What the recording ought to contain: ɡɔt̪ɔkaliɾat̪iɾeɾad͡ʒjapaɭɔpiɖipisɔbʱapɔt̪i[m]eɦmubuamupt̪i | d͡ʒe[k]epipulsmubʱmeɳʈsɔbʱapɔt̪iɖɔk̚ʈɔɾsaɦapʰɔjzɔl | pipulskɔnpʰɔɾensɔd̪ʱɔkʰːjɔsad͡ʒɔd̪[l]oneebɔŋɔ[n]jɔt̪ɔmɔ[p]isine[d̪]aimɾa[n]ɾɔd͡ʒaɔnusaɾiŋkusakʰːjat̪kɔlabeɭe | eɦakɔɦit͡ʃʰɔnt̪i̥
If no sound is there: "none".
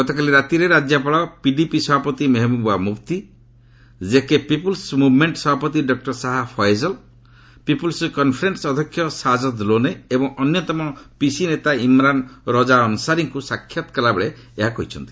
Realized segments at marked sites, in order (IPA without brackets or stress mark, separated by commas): m, k, l, n, p, t̪, n